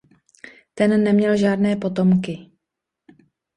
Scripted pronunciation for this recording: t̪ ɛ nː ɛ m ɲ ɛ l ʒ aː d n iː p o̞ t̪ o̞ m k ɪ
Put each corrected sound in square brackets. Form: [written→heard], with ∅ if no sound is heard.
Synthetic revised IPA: t̪ ɛ nː ɛ m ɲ ɛ l ʒ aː d n [iː→ɛː] p o̞ t̪ o̞ m k ɪ